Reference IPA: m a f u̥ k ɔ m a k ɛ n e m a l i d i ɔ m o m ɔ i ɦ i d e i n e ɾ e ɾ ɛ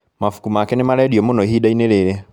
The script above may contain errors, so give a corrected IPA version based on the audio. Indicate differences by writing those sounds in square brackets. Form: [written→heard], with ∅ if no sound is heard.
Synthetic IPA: m a f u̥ k [ɔ→u] m a k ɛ n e m a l [i→ɛ] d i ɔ m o [m→n] ɔ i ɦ i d [e→a] i n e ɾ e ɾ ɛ